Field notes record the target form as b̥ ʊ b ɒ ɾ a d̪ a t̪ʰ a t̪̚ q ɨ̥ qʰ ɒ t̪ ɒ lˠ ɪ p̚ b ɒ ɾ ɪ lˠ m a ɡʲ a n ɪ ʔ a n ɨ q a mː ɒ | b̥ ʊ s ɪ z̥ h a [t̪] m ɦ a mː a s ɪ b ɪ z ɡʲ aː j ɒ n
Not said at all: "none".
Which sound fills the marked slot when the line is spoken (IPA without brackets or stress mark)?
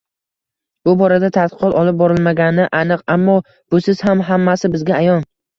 none